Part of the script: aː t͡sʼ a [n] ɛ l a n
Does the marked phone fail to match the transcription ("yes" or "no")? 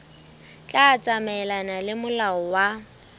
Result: yes